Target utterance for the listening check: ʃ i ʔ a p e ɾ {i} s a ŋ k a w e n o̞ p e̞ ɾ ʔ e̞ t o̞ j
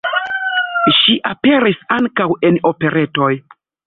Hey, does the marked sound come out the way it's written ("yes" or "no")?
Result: yes